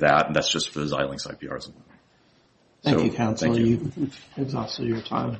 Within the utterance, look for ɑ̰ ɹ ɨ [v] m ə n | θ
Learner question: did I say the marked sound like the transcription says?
no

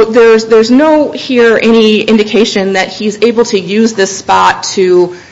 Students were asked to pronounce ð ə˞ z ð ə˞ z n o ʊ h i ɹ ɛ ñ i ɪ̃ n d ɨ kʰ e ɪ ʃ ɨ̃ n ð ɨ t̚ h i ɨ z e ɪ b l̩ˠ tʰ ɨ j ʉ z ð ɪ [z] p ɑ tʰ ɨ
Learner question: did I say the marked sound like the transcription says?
no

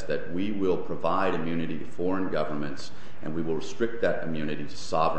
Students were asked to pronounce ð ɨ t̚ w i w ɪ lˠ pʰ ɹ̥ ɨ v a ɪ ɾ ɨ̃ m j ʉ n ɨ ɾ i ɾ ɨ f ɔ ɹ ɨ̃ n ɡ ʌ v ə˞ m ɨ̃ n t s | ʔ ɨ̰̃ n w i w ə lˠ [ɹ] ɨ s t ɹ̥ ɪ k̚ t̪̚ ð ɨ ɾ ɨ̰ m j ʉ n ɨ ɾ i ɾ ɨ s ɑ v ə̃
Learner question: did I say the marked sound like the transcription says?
yes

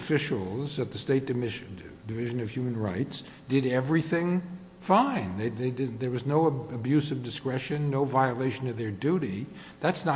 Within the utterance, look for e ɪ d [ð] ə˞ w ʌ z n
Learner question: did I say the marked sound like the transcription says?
yes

